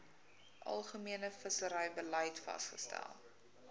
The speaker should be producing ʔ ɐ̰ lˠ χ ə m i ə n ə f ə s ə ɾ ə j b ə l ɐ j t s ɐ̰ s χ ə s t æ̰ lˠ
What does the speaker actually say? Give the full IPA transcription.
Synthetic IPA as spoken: ʔ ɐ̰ lˠ χ ə m i ə n ə f ə s ə ɾ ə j b ə l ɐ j t f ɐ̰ s χ ə s t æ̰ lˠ